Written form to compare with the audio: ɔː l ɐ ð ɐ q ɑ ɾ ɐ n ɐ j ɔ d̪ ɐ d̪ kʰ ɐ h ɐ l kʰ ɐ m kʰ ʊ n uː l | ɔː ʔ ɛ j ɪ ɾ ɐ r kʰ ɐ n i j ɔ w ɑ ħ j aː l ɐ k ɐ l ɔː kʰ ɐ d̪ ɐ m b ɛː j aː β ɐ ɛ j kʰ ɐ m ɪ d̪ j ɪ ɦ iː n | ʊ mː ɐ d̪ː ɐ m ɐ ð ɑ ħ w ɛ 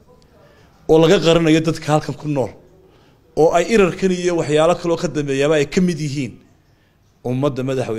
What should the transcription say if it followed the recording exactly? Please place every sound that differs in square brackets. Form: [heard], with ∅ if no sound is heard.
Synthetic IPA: ɔː l ɐ [ɣ] ɐ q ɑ ɾ ɐ n ɐ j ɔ d̪ ɐ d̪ kʰ ɐ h ɐ l kʰ ɐ [ŋ] kʰ ʊ n [ɔː] l | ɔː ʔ ɛ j ɪ ɾ ɐ r kʰ ɐ n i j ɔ w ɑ ħ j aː l ɐ [kʰ] ɐ l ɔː kʰ ɐ d̪ ɐ m b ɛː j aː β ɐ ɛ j kʰ ɐ m ɪ d̪ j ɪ ɦ iː n | ʊ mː ɐ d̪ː ɐ m ɐ ð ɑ ħ w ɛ